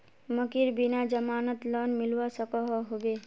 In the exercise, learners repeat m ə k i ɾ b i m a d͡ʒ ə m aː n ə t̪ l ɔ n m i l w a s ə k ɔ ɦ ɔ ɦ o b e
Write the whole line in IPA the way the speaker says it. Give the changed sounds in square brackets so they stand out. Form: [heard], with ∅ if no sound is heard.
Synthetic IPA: m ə k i ɾ b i [n] a d͡ʒ ə m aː n ə t̪ l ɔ n m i l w a s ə k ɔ ɦ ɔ ɦ o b e